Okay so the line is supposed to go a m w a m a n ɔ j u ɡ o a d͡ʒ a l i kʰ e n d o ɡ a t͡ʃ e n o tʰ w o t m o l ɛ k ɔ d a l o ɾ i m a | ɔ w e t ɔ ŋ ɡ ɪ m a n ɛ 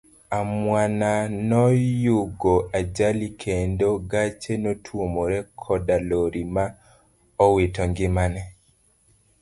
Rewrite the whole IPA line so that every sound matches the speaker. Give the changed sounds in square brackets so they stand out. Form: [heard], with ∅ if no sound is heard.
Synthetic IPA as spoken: a m w a [n] a n ɔ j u ɡ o a d͡ʒ a l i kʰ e n d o ɡ a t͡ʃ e n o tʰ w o [∅] m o [ɾ] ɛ [kʰ] ɔ d a l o ɾ i m a | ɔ w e t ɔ ŋ ɡ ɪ m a n ɛ